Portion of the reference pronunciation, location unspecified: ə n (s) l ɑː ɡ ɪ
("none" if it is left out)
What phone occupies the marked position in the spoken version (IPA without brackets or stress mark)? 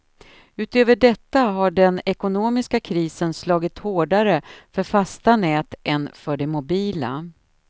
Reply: s